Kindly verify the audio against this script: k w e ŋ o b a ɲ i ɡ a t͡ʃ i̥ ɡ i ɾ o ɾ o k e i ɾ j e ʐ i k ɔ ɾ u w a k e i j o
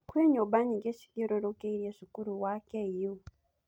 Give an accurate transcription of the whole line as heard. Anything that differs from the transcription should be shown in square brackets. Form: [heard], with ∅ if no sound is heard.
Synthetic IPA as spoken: k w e [ɲ] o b a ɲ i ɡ [e] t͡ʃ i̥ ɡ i ɾ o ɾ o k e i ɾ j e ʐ i k [u] ɾ u w a k e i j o